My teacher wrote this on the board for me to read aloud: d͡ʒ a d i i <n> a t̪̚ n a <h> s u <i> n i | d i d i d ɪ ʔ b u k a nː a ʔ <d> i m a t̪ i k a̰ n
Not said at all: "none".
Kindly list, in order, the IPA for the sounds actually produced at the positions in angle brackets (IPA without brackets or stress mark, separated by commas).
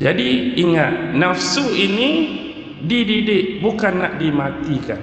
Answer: ŋ, f, i, d